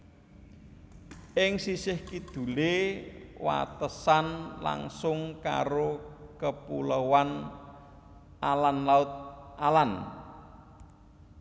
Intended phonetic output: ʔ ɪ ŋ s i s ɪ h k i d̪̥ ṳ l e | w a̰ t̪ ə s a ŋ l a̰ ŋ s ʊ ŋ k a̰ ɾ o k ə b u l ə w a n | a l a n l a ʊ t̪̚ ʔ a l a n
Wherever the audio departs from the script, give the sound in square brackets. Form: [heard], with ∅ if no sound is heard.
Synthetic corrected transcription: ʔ ɪ ŋ s i s ɪ h k i d̪̥ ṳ l e | w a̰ t̪ ə s a [n] l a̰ ŋ s ʊ ŋ k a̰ ɾ o k ə [p] u l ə w a n | a l a n l a ʊ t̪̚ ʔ a l a n